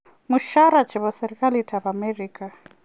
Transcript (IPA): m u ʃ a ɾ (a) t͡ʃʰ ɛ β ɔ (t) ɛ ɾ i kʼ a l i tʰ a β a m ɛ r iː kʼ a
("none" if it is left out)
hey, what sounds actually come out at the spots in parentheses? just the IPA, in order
a, s

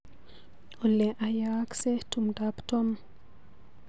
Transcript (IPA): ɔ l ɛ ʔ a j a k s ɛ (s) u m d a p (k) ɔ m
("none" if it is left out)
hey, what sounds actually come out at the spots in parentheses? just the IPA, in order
t, t

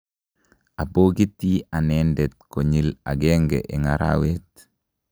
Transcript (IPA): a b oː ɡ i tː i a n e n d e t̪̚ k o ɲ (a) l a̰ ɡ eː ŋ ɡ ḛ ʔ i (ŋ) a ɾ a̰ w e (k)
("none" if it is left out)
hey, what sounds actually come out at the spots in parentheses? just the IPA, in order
i, ŋ, t

